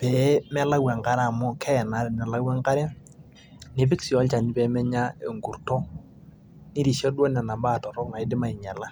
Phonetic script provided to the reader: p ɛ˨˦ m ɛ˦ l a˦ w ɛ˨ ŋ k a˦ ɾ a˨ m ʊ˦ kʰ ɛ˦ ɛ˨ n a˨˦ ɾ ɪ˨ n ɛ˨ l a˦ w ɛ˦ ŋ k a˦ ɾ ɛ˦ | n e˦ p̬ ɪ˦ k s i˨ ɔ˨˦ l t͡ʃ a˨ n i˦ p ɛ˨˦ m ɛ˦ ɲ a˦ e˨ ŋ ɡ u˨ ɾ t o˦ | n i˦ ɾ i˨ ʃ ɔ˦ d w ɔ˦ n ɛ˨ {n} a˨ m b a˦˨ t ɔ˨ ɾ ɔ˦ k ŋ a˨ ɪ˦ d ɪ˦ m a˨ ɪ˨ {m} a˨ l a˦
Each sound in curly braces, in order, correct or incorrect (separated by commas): correct, incorrect